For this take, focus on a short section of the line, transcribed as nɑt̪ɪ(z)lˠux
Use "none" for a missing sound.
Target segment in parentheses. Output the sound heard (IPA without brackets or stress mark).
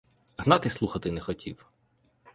s